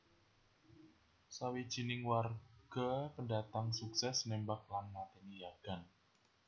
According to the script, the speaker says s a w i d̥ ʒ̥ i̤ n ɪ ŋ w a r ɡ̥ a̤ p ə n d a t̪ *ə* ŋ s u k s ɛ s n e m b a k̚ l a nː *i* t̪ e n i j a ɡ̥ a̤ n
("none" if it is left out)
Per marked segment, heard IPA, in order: a, a

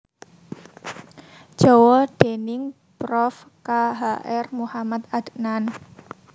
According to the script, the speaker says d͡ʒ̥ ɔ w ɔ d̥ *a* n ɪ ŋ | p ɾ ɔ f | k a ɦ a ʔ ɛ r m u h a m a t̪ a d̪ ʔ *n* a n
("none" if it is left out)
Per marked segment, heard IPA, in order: e, n

